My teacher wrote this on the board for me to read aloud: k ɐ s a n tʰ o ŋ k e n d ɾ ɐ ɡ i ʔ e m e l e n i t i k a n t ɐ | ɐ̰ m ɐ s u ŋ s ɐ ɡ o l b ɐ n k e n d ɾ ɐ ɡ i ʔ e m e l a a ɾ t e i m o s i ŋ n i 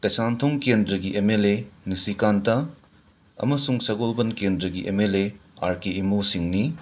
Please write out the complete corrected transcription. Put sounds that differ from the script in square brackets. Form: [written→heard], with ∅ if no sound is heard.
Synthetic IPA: k ɐ s a n tʰ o ŋ k e n d ɾ ɐ ɡ i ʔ e m e l e n i [t→s] i k a n t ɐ | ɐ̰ m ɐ s u ŋ s ɐ ɡ o l b ɐ n k e n d ɾ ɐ ɡ i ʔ e m e l [a→e] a ɾ [t→k] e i m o s i ŋ n i